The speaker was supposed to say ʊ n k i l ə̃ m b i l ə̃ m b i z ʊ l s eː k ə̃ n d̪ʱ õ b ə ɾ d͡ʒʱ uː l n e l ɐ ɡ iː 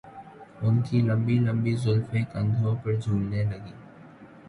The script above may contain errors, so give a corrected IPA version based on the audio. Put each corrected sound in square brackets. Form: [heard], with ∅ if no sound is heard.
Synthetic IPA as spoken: ʊ n k i l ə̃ m b i l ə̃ m b i z ʊ l [f] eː k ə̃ n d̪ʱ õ [p] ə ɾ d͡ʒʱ uː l n e l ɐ ɡ iː